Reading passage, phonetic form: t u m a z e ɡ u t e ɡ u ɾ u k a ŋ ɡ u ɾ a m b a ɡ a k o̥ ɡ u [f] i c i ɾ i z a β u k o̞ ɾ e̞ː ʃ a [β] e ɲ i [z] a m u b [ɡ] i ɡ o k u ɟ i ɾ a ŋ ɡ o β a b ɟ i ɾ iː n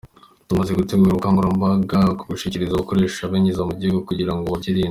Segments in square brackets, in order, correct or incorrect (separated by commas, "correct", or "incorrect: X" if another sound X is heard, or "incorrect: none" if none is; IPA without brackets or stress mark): incorrect: ʃ, correct, correct, incorrect: ɟ